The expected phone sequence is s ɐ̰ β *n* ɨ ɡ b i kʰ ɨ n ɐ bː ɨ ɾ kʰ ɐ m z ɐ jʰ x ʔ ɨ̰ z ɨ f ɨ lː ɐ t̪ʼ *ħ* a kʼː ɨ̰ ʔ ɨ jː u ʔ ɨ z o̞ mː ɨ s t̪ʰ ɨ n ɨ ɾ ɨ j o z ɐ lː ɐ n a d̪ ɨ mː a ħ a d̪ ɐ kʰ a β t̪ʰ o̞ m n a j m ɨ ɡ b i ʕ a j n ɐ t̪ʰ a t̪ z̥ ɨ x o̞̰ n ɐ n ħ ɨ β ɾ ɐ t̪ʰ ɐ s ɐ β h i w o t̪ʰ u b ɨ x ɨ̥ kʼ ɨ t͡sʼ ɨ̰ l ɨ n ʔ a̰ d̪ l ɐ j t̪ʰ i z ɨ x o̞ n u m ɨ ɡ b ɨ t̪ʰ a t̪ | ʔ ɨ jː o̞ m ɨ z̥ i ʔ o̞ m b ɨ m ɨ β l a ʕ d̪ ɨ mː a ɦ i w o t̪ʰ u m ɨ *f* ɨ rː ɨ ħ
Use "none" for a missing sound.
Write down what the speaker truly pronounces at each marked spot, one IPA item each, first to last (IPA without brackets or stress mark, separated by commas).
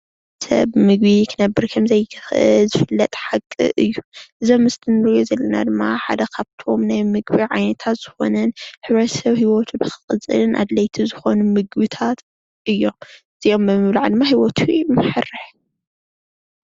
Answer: m, ħ, ħ